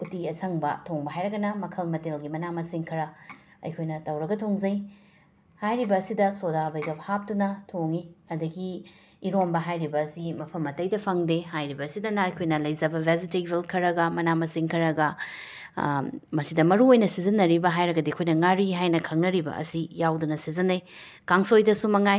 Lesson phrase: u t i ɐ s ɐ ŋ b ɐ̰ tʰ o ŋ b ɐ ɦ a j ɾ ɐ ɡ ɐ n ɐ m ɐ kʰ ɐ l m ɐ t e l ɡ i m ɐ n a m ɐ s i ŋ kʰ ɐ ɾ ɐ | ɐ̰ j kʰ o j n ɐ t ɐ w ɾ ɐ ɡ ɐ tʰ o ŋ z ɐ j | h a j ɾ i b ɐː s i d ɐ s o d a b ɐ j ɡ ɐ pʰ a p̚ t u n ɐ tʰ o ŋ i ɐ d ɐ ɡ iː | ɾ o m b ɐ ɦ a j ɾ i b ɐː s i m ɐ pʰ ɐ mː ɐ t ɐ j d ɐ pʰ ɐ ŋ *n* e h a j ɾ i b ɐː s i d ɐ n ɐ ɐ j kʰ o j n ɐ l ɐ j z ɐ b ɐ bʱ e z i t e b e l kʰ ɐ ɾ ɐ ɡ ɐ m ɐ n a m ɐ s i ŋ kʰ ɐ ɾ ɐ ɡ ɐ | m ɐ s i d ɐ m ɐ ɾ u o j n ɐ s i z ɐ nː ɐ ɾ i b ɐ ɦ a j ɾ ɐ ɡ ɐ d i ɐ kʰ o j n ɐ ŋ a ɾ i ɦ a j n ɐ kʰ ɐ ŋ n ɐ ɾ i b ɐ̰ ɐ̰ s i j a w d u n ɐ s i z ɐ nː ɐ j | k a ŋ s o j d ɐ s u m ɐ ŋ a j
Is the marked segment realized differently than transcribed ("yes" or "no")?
yes